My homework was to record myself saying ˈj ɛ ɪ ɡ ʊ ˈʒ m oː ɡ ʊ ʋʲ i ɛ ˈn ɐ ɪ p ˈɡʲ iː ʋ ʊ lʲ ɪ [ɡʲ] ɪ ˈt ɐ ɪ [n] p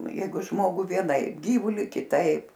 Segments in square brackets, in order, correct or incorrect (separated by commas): incorrect, incorrect